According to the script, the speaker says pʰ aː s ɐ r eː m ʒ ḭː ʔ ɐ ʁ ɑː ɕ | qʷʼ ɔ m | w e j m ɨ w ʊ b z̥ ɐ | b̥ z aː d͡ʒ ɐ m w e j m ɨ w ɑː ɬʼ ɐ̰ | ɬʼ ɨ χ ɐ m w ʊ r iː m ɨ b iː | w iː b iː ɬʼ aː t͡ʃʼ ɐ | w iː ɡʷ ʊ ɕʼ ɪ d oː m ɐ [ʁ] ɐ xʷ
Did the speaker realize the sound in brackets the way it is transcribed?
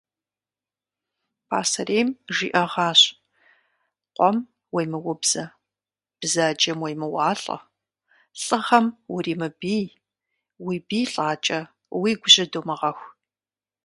yes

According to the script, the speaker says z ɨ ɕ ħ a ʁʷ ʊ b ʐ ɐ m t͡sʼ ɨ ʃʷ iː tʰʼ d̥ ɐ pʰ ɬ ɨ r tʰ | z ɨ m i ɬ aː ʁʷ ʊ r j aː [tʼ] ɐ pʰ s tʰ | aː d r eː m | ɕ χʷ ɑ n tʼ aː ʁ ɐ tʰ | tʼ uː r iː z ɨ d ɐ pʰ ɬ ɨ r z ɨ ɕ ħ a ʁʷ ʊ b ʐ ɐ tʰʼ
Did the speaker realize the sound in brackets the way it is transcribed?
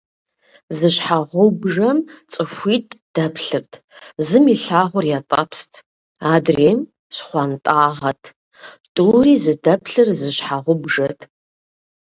yes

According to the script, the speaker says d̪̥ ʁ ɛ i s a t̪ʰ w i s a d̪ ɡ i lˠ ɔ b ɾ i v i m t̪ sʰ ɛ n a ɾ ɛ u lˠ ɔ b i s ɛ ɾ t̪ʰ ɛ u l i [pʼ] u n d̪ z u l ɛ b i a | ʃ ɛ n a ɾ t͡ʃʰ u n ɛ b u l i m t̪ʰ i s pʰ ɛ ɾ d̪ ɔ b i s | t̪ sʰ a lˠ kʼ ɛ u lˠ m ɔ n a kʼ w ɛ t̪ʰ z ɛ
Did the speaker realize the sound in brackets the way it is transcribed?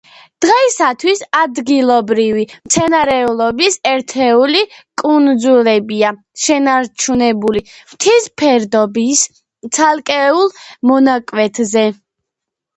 no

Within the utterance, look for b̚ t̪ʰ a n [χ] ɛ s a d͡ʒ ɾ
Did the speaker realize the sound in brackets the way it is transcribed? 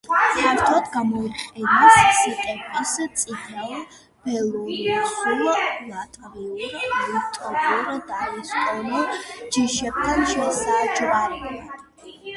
no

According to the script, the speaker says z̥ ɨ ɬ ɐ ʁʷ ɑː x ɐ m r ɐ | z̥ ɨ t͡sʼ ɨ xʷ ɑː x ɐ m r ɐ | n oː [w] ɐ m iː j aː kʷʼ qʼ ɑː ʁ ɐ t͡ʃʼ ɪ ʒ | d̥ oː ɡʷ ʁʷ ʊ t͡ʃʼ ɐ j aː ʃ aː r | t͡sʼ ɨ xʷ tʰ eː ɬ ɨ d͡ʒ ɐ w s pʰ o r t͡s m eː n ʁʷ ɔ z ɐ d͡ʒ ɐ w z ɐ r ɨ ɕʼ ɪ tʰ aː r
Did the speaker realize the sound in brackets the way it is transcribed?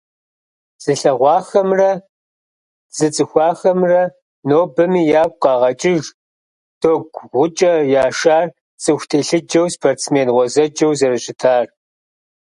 no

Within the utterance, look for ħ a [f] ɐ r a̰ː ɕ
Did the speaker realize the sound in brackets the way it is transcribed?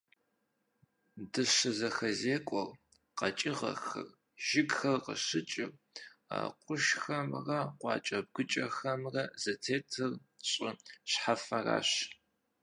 yes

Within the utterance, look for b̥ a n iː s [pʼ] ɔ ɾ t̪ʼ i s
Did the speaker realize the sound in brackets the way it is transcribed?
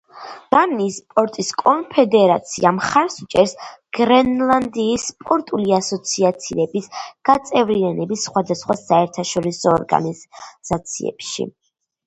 yes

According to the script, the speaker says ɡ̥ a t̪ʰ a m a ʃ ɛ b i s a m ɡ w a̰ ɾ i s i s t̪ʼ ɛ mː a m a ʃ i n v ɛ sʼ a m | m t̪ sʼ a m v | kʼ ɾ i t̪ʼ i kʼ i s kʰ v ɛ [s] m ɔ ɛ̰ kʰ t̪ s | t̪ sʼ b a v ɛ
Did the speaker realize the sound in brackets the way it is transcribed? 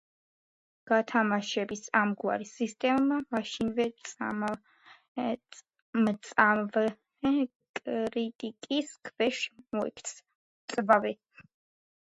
no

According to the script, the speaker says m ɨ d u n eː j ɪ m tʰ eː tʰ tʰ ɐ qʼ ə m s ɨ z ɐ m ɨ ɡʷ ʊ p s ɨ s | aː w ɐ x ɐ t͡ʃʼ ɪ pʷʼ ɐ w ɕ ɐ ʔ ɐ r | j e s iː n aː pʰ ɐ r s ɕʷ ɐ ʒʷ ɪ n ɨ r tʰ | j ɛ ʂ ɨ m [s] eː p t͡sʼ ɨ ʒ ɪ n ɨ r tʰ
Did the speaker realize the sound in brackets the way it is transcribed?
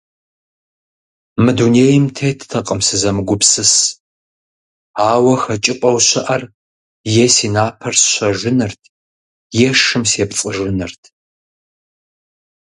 yes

